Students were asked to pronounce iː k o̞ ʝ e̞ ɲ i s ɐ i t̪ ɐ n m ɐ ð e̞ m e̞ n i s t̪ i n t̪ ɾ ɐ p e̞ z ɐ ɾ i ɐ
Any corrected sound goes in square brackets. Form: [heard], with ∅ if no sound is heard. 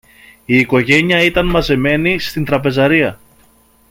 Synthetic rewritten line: iː k o̞ ʝ e̞ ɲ i [∅] ɐ i t̪ ɐ n m ɐ [z] e̞ m e̞ n i s t̪ i n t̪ ɾ ɐ p e̞ z ɐ ɾ i ɐ